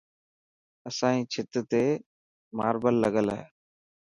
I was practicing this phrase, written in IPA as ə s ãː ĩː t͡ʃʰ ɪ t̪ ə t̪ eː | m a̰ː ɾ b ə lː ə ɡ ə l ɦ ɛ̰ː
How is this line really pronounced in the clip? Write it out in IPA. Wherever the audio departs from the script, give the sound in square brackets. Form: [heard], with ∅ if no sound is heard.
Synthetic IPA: ə s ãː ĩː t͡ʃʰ ɪ t̪ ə t̪ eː | m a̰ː ɾ b ə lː ə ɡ ə l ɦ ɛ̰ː